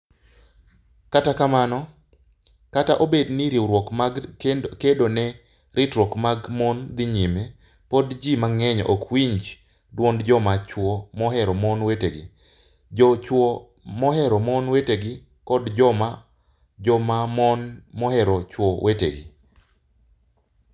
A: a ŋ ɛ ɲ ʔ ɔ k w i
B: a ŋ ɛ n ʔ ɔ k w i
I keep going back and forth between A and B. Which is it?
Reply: A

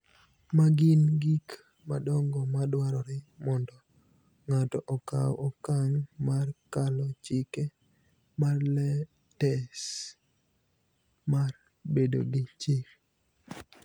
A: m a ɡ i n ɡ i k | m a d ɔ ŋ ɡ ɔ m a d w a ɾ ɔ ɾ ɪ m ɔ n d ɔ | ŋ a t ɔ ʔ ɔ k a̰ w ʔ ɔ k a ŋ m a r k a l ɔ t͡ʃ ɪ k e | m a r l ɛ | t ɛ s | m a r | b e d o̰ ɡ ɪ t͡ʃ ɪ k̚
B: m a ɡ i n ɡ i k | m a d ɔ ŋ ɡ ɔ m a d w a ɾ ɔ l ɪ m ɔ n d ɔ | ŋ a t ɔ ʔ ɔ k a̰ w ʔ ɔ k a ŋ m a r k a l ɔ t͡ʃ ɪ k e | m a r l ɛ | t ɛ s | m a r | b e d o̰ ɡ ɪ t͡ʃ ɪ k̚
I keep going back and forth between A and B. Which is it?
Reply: A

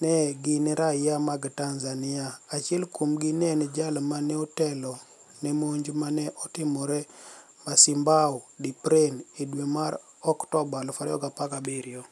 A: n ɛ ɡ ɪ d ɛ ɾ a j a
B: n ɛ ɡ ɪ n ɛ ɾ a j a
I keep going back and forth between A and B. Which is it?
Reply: B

